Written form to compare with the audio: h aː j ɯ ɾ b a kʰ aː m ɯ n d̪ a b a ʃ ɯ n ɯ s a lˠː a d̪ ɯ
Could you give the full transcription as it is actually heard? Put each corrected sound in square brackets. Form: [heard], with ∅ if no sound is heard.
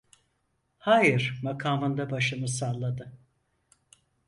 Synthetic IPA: h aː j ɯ ɾ [m] a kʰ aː m ɯ n d̪ a b a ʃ ɯ [m] ɯ s a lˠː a d̪ ɯ